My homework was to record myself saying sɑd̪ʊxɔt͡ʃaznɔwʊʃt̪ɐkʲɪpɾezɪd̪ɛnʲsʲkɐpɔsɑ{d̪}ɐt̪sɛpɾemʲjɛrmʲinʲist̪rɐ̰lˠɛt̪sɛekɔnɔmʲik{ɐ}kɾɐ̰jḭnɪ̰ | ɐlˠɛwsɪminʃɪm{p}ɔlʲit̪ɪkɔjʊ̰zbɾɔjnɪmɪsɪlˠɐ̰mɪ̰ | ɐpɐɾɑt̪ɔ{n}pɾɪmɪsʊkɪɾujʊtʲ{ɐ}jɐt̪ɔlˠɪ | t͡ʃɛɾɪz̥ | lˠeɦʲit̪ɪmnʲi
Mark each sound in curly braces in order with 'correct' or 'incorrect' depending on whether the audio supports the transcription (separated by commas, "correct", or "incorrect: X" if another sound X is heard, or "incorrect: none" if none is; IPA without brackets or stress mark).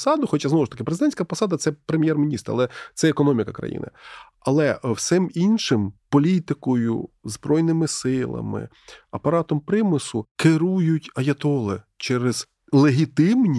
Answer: correct, correct, correct, incorrect: m, correct